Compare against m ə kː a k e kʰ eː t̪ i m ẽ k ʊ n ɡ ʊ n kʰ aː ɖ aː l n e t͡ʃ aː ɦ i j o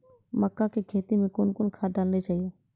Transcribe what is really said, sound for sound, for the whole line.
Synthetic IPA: m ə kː a k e kʰ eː t̪ i m ẽ k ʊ n k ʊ n kʰ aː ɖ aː l n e t͡ʃ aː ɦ i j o